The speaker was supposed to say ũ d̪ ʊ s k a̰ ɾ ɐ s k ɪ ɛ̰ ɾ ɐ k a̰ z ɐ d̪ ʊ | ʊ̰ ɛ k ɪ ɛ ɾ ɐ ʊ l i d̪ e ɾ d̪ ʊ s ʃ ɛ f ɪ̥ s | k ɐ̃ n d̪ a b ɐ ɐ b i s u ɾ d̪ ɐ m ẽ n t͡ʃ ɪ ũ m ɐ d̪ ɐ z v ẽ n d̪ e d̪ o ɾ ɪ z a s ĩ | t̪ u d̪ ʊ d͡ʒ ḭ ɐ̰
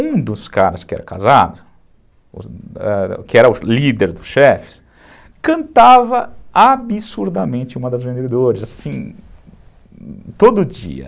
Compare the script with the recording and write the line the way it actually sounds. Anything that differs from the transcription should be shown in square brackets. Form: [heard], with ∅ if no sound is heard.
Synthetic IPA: ũ d̪ ʊ s k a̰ ɾ ɐ s k ɪ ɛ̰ ɾ ɐ k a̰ z [a] d̪ ʊ | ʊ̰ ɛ k ɪ ɛ ɾ ɐ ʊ l i d̪ e ɾ d̪ ʊ s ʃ ɛ f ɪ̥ s | k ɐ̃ n [t̪] a [v] ɐ [a] b i s u ɾ d̪ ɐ m ẽ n t͡ʃ ɪ ũ m ɐ d̪ ɐ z v ẽ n d̪ e d̪ o ɾ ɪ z a s ĩ | t̪ [o] d̪ ʊ d͡ʒ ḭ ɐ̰